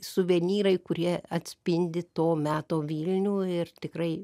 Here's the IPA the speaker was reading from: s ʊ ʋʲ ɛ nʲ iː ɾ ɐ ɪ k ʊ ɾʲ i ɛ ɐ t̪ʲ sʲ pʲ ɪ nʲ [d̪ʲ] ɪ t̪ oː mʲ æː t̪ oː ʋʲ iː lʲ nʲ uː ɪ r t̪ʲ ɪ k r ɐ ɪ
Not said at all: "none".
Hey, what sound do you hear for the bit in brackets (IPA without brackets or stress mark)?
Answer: d̪ʲ